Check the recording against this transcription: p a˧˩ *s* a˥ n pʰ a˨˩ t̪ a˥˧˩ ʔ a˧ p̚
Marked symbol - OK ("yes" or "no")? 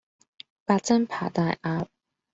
no